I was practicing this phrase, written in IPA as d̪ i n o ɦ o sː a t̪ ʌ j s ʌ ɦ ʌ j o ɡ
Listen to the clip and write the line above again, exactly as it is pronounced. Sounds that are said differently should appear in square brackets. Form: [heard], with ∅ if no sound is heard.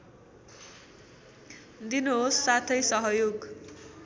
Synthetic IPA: d̪ i n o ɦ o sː a [t̪ʰ] ʌ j s ʌ ɦ ʌ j o ɡ